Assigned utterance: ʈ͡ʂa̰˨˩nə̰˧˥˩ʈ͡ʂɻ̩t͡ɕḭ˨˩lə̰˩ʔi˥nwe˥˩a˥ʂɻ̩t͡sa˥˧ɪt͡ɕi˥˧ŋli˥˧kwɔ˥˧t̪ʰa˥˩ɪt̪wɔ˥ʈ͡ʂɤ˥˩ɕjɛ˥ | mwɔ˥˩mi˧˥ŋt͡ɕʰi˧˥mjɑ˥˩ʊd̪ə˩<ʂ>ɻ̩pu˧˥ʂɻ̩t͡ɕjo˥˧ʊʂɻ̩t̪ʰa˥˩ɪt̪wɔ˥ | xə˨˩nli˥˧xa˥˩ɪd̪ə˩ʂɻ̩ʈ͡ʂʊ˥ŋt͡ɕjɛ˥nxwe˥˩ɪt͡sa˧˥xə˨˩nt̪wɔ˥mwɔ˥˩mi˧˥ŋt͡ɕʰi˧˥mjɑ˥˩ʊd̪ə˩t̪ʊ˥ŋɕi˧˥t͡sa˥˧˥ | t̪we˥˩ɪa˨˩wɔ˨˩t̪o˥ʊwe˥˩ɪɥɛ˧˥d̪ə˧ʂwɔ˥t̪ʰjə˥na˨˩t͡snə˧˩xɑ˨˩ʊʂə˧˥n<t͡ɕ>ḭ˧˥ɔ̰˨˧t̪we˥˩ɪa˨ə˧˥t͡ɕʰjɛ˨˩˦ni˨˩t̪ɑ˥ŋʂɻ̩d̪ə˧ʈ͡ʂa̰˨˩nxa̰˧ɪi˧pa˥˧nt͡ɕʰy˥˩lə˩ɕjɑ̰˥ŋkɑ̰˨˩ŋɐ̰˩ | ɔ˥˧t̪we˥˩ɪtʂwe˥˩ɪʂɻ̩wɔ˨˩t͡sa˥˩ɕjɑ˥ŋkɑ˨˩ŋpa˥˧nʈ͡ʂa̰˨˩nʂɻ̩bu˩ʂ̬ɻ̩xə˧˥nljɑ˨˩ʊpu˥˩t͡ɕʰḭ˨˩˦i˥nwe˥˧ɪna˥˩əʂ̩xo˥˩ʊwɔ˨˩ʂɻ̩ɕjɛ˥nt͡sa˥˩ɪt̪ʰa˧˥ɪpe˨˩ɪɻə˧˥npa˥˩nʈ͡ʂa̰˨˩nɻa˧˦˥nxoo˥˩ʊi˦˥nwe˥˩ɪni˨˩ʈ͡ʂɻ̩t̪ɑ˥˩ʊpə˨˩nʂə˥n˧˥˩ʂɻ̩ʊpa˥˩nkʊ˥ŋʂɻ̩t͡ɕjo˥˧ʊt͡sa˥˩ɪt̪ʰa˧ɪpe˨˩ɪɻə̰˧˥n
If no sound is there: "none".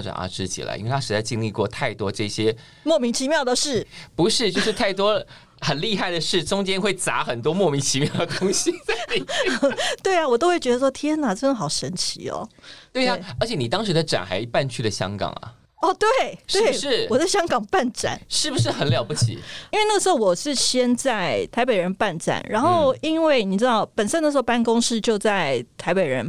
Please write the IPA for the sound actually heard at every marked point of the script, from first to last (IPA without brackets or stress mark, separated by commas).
ʂ, t͡ɕʰ